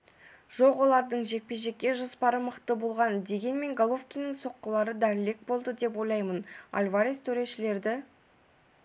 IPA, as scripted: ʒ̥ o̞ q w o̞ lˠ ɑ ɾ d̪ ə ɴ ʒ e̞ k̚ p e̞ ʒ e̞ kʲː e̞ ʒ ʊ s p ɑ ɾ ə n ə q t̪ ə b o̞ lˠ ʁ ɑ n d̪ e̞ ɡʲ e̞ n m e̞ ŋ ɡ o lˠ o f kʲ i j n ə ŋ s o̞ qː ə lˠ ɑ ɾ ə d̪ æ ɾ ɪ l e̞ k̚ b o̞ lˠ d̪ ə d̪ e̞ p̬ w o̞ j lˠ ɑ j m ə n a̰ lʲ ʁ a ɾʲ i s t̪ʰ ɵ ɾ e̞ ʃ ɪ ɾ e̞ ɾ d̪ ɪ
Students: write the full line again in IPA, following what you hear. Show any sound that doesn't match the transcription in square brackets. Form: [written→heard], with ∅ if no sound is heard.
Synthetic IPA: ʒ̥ o̞ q w o̞ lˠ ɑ ɾ d̪ ə ɴ ʒ e̞ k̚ p e̞ ʒ e̞ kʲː e̞ ʒ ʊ s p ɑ ɾ ə [n→m] ə q t̪ ə b o̞ lˠ ʁ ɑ n d̪ e̞ ɡʲ e̞ n m e̞ ŋ ɡ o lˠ o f kʲ i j n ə ŋ s o̞ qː ə lˠ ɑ ɾ ə d̪ æ ɾ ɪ l e̞ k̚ b o̞ lˠ d̪ ə d̪ e̞ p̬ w o̞ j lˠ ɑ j m ə n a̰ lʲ [ʁ→v] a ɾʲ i s t̪ʰ ɵ ɾ e̞ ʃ ɪ [ɾ→l] e̞ ɾ d̪ ɪ

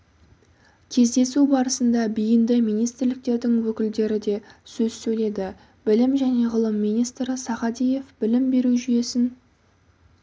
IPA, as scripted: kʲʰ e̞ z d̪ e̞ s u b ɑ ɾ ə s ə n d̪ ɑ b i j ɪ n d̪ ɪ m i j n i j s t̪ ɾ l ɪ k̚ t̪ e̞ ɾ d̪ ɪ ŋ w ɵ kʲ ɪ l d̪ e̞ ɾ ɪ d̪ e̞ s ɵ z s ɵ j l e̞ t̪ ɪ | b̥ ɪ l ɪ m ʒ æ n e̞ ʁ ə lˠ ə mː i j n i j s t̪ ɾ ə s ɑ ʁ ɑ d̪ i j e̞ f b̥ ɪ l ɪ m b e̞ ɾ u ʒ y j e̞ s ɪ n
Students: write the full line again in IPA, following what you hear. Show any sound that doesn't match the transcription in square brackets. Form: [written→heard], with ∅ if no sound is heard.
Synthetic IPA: kʲʰ e̞ z d̪ e̞ s u b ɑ ɾ ə s ə n d̪ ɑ b i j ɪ n d̪ ɪ m i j n i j s t̪ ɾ l ɪ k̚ t̪ e̞ ɾ d̪ ɪ ŋ w ɵ kʲ ɪ l d̪ e̞ ɾ ɪ d̪ e̞ s ɵ z s ɵ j l e̞ [t̪→d̪] ɪ | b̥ ɪ l ɪ m ʒ æ n e̞ ʁ ə lˠ ə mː i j n i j s t̪ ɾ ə s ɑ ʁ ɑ d̪ i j e̞ f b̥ ɪ l ɪ m b e̞ ɾ u ʒ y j e̞ s ɪ n

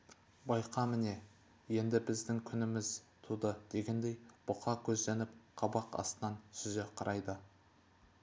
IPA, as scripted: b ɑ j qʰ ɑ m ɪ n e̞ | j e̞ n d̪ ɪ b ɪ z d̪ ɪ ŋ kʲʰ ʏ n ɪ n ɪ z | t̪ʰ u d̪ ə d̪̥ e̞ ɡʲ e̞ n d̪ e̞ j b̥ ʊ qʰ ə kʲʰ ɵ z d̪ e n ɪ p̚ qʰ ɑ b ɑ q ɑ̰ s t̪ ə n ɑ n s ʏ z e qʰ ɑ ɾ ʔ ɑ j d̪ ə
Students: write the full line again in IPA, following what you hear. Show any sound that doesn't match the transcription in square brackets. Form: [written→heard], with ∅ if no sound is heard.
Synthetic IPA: b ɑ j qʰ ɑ m ɪ n e̞ | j e̞ n d̪ ɪ b ɪ z d̪ ɪ ŋ kʲʰ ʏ n ɪ [n→m] ɪ z | t̪ʰ u d̪ ə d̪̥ e̞ ɡʲ e̞ n d̪ e̞ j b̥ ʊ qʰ [ə→ɑ] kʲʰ ɵ z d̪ e n ɪ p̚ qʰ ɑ b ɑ q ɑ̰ s t̪ ə n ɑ n s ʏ z e qʰ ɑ ɾ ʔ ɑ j d̪ ə

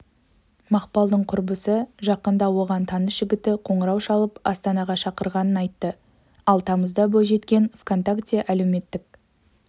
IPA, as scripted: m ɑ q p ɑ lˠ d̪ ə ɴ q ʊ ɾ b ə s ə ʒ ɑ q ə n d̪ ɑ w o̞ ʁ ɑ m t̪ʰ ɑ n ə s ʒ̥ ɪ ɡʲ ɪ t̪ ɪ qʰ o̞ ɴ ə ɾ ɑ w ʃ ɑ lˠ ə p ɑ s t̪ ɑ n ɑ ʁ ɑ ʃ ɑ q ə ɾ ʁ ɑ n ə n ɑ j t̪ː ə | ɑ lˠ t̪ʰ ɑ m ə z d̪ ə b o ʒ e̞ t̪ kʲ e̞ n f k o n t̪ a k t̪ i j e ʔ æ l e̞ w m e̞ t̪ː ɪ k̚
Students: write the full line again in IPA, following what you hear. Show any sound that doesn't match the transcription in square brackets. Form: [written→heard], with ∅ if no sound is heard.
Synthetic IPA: m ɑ q p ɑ lˠ d̪ ə ɴ [q→qʰ] ʊ ɾ b ə s ə ʒ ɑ q ə n d̪ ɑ w o̞ ʁ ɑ [m→n] t̪ʰ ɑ n ə s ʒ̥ ɪ ɡʲ ɪ t̪ ɪ qʰ o̞ ɴ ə ɾ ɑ w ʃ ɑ lˠ ə p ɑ s t̪ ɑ n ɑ ʁ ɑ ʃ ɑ q ə ɾ ʁ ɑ n ə n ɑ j t̪ː ə | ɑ lˠ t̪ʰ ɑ m ə z d̪ [ə→ɑ] b o ʒ e̞ t̪ kʲ e̞ n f k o n t̪ a k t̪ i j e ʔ æ l e̞ w m e̞ t̪ː ɪ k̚

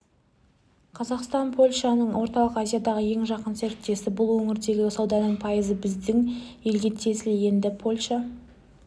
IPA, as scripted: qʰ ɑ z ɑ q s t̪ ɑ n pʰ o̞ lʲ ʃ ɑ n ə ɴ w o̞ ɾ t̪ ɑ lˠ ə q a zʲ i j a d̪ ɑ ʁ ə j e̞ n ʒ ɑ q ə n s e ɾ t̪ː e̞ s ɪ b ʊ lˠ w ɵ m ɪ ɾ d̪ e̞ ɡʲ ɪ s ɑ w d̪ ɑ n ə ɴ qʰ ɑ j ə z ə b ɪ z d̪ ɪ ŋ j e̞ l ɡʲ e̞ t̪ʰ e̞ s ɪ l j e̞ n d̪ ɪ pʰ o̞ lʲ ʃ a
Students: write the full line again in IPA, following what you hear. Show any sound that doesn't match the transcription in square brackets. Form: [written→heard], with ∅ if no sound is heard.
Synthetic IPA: qʰ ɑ z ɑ q s t̪ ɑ n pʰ o̞ lʲ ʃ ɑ n ə ɴ w o̞ ɾ t̪ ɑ lˠ ə q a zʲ i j a d̪ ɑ ʁ ə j e̞ [n→ŋ] ʒ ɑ q ə n s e ɾ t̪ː e̞ s ɪ b ʊ lˠ w ɵ [m→ŋ] ɪ ɾ d̪ e̞ ɡʲ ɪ s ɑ w d̪ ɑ n ə ɴ [qʰ→pʰ] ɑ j ə z ə b ɪ z d̪ ɪ ŋ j e̞ l ɡʲ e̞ t̪ʰ e̞ s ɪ l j e̞ n d̪ ɪ pʰ o̞ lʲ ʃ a

